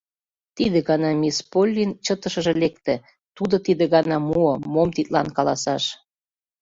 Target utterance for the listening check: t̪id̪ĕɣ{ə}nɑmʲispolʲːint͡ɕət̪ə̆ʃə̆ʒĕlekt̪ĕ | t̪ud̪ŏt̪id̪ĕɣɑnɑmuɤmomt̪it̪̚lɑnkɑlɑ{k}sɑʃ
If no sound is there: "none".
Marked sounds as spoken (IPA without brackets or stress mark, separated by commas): ɑ, none